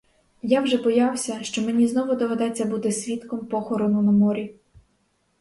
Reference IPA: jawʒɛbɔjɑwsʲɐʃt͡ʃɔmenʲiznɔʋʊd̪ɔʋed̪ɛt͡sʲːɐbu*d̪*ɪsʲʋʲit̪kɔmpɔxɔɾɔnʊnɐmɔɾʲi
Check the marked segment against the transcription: incorrect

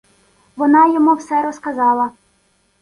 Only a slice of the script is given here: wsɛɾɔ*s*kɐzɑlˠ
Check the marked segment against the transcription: correct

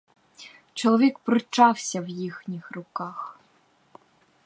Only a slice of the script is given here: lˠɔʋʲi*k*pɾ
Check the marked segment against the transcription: correct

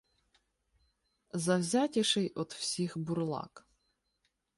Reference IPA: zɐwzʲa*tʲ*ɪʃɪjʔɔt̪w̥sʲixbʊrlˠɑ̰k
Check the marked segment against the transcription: correct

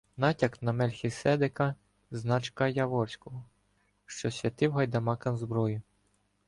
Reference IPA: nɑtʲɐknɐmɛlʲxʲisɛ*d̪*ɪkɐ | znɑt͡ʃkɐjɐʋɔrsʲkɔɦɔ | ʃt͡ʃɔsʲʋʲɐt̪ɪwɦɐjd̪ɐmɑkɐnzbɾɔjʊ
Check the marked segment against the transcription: correct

